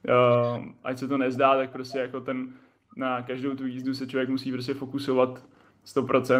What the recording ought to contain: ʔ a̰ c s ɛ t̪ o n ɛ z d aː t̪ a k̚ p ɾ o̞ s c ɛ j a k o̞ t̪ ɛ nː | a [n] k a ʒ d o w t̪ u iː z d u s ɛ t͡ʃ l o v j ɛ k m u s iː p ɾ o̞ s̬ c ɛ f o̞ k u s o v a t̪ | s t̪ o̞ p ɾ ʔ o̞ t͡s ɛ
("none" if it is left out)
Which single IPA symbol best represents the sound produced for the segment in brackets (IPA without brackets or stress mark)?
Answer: none